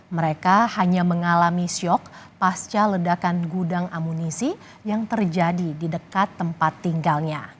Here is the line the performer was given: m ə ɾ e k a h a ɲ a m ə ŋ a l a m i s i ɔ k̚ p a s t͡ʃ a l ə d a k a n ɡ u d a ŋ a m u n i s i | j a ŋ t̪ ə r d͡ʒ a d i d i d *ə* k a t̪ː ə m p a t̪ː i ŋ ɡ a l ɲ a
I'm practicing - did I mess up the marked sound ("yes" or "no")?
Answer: no